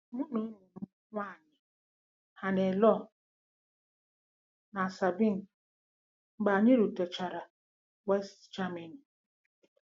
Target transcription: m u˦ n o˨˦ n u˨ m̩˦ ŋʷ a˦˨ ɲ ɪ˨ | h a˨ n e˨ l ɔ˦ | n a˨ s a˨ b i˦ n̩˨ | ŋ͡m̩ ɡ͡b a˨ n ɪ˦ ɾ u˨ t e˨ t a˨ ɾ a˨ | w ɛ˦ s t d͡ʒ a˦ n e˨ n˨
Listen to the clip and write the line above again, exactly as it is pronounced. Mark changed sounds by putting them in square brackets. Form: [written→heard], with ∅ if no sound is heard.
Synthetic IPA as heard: m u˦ n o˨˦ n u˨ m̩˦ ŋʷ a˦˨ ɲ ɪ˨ | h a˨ n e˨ l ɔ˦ | n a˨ s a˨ b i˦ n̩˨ | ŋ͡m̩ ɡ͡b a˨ [n→ɲ] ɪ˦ ɾ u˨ t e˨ [t→t͡ʃ] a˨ ɾ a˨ | w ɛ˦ s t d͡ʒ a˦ [n→m] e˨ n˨